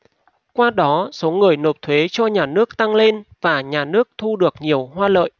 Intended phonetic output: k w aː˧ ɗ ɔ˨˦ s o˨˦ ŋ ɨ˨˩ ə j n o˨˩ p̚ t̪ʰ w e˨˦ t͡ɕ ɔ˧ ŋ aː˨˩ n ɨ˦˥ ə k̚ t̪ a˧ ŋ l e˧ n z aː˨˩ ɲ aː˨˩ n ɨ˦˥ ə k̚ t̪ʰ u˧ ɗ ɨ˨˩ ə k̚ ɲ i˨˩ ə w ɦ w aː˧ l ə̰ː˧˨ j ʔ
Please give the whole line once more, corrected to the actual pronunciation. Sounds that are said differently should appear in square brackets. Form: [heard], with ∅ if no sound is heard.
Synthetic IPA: k w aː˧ ɗ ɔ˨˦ s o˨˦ ŋ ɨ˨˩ ə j n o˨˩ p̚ t̪ʰ w e˨˦ t͡ɕ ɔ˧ [ɲ] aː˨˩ n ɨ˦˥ ə k̚ t̪ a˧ ŋ l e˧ n [v] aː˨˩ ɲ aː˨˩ n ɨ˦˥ ə k̚ t̪ʰ u˧ ɗ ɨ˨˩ ə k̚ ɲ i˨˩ ə w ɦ w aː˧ l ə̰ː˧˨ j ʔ